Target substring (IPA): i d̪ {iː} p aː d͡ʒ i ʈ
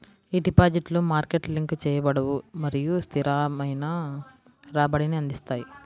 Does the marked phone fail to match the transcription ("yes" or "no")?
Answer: yes